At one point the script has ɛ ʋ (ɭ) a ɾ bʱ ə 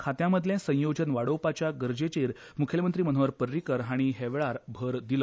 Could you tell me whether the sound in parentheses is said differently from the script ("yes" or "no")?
no